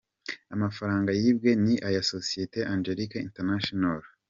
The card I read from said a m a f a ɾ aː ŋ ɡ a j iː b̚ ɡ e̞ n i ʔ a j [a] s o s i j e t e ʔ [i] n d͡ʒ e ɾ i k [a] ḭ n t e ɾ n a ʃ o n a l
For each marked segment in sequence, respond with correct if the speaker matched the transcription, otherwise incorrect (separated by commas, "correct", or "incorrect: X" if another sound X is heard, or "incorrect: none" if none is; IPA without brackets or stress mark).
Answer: correct, incorrect: a, correct